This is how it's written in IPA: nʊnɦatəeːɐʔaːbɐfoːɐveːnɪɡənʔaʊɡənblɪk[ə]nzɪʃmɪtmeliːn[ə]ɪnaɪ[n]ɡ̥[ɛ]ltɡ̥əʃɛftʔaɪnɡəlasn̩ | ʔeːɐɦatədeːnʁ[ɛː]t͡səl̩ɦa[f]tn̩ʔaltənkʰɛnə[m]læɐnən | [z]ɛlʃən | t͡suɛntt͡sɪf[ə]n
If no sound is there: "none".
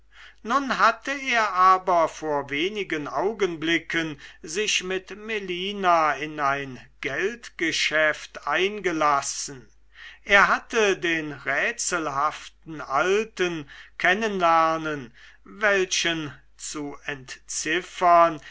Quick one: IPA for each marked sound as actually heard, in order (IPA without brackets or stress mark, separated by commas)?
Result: ə, a, n, ɛ, ɛː, f, n, v, ɐ